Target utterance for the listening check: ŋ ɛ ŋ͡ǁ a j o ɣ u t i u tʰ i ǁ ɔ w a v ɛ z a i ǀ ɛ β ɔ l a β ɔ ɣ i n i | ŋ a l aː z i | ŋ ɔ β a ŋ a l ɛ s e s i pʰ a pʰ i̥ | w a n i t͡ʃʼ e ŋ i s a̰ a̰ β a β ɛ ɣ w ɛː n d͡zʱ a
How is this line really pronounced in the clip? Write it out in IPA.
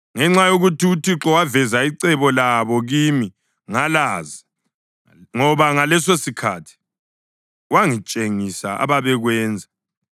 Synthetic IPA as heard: ŋ ɛ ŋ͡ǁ a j o ɣ u t i u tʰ i ǁ ɔ w a v ɛ z a i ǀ ɛ β ɔ l a β ɔ ɣ i m i | ŋ a l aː z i | ŋ ɔ β a ŋ a l ɛ s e s i kʰ a tʰ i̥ | w a ŋ i t͡ʃʼ e ŋ i s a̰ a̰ β a β ɛ ɣ w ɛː n d͡zʱ a